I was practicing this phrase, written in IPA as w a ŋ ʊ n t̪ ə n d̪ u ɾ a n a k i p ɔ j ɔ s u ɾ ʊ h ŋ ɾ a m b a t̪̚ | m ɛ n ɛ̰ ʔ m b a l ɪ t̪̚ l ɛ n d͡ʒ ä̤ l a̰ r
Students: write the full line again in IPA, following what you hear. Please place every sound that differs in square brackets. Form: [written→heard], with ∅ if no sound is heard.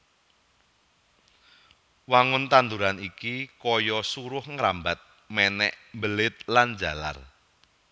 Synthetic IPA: w a ŋ ʊ n t̪ [ə→a] n d̪ u ɾ a n [a→i] k i [p→k] ɔ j ɔ s u ɾ ʊ h ŋ ɾ a m b a t̪̚ | m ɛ n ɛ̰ ʔ m b [a→ə] l ɪ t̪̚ l [ɛ→a] n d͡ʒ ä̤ l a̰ r